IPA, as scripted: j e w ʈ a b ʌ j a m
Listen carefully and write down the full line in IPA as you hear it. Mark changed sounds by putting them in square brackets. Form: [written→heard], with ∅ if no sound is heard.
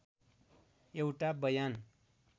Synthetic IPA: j e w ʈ a b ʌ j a [m→n]

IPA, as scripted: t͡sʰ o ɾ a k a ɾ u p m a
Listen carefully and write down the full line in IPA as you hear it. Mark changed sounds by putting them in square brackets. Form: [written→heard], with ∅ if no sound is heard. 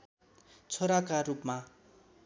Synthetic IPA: t͡sʰ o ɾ a k a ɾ u p m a

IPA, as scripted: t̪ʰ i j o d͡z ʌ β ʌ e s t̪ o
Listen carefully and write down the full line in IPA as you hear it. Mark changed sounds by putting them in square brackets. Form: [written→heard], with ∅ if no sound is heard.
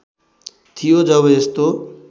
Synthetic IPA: t̪ʰ i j o d͡z ʌ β ʌ e s t̪ o

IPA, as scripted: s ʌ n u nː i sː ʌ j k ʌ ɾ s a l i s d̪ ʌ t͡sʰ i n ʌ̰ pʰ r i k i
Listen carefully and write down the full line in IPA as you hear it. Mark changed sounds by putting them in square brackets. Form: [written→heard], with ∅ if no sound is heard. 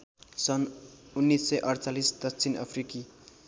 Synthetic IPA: s ʌ n u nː i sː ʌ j [k→ʔ] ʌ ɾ [s→t͡s] a l i s d̪ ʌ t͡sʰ i n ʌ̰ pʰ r i k i

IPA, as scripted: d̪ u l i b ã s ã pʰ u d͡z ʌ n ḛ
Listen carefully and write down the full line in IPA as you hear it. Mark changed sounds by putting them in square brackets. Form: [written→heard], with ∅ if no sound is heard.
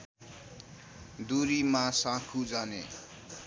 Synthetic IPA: d̪ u [l→ɾ] i [b→m] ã s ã [pʰ→kʰ] u d͡z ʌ n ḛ

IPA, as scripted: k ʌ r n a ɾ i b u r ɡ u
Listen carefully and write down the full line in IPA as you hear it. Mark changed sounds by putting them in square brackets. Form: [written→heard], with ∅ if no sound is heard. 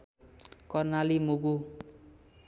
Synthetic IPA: k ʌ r n a [ɾ→l] i [b→m] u [r→∅] ɡ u

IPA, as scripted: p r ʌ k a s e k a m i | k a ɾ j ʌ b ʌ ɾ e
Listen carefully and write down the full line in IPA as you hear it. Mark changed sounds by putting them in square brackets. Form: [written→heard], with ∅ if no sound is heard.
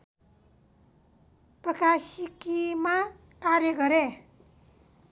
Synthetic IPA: p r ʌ k a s [e→i] k [a→i] m [i→a] | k a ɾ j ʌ [b→ɡ] ʌ ɾ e

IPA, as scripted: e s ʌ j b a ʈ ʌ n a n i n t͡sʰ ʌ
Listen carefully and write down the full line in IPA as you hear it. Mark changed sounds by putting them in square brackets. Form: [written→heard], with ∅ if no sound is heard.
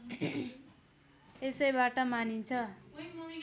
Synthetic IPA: e s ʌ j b a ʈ ʌ [n→m] a n i n t͡sʰ ʌ

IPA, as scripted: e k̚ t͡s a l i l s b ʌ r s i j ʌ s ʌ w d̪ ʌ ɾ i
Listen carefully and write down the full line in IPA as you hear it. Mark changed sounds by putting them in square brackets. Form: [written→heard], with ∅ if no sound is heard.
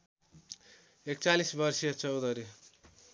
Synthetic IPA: e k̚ t͡s a l i [l→∅] s b ʌ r s i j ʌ [s→t͡s] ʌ w d̪ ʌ ɾ i

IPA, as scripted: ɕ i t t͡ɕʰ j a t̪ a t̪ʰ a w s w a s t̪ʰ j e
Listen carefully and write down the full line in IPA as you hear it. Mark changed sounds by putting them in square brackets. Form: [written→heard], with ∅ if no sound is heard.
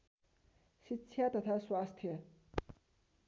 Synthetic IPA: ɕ i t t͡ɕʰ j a t̪ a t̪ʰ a [w→∅] s w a s t̪ʰ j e

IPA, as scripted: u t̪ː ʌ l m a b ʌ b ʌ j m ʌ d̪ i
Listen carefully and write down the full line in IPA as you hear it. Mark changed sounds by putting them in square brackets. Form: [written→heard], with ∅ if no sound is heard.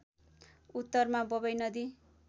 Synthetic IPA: u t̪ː ʌ [l→r] m a b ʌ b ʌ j [m→n] ʌ d̪ i

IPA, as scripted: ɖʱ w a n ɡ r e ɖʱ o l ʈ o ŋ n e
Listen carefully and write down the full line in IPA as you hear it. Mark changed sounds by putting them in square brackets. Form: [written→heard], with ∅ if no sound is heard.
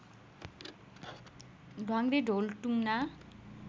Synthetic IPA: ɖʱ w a [n→ŋ] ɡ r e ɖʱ o l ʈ [o→u] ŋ n [e→a]

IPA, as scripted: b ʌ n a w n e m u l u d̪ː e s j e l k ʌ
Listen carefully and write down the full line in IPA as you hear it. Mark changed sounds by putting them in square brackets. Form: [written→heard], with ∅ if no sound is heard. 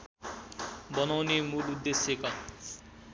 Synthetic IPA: b ʌ n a w n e m u l u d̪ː e s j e [l→∅] k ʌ

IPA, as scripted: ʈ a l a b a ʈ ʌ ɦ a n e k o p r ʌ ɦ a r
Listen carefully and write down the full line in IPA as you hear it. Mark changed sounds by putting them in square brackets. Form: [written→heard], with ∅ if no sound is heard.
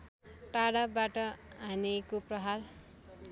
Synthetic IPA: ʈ a [l→ɽ] a b a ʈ ʌ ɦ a n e k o p r ʌ ɦ a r

